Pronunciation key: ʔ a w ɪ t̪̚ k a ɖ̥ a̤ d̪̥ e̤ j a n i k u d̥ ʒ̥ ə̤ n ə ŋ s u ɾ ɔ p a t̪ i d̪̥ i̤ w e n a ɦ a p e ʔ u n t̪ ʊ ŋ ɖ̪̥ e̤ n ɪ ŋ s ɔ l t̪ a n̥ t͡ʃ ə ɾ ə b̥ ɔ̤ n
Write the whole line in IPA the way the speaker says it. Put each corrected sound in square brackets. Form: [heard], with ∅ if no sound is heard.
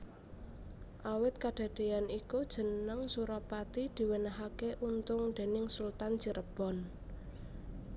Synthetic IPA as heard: ʔ a w ɪ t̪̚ k a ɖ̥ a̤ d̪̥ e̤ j a n i k u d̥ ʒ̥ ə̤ n ə ŋ s u ɾ ɔ p a t̪ i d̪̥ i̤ w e n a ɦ a [k] e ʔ u n t̪ ʊ ŋ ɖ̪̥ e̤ n ɪ ŋ s [u] l t̪ a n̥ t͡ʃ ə ɾ ə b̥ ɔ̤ n